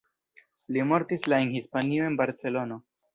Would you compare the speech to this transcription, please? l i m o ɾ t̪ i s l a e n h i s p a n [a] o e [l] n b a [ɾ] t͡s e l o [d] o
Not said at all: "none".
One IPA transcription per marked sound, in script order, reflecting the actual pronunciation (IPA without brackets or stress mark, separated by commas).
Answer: i, none, ɾ, n